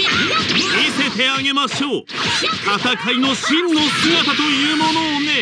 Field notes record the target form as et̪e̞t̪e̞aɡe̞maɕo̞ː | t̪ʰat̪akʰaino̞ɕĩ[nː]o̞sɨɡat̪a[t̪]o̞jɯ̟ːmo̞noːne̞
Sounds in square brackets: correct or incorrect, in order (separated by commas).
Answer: correct, correct